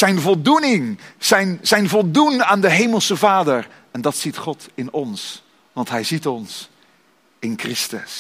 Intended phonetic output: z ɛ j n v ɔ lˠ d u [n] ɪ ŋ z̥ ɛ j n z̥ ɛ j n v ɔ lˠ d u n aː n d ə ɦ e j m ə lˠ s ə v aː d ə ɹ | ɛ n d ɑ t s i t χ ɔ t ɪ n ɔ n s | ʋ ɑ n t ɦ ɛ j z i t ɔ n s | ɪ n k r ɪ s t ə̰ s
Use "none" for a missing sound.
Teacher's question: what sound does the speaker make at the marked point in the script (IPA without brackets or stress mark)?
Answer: n